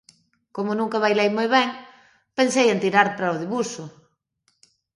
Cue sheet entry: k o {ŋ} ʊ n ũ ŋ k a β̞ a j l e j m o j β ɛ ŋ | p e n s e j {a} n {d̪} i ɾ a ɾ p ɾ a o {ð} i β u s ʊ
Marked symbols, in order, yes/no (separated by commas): no, no, no, yes